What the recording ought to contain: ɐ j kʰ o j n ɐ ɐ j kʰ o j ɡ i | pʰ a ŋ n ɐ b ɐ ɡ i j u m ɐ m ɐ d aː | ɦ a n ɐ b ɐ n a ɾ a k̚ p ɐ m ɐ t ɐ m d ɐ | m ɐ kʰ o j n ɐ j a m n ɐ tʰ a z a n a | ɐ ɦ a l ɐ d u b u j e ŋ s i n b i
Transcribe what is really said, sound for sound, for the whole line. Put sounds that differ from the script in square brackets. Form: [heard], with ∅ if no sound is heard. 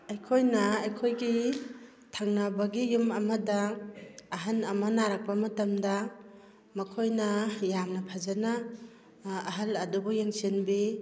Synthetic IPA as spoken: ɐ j kʰ o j n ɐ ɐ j kʰ o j ɡ i | [tʰ] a ŋ n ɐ b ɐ ɡ i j u m ɐ m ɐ d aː | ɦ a n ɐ [m] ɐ n a ɾ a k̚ p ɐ m ɐ t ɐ m d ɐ | m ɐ kʰ o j n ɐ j a m n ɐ [pʰ] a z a n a | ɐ ɦ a l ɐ d u b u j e ŋ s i n b i